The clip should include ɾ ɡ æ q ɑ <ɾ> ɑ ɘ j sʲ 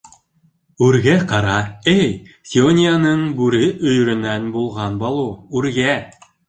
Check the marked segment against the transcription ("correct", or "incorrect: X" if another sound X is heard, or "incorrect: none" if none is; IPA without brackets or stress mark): correct